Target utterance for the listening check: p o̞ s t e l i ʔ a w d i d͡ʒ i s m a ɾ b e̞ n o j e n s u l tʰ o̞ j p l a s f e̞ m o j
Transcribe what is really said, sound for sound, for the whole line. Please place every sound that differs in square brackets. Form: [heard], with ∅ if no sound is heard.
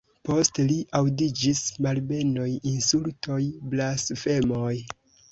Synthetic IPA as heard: p o̞ s t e l i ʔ a w d i d͡ʒ i s m a [l] b e̞ n o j [i] n s u l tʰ o̞ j [b] l a s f e̞ m o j